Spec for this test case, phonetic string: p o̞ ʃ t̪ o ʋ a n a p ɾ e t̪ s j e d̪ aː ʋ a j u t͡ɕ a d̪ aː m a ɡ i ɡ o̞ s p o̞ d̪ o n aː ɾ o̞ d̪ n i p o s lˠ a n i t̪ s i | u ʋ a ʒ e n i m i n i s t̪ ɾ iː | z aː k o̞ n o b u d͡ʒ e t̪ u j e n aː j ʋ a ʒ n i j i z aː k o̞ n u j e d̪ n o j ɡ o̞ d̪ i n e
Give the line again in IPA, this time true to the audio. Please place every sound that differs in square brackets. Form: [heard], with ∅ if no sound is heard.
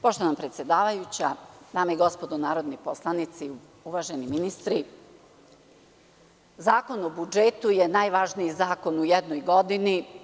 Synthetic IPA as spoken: p o̞ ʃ t̪ o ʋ a n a p ɾ e t̪ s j e d̪ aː ʋ a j u t͡ɕ a d̪ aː m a [∅] i ɡ o̞ s p o̞ d̪ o n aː ɾ o̞ d̪ n i p o s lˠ a n i t̪ s i | u ʋ a ʒ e n i m i n i s t̪ ɾ [i] | z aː k o̞ n o b u d͡ʒ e t̪ u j e n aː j ʋ a ʒ n i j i z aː k o̞ n u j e d̪ n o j ɡ o̞ d̪ i n [i]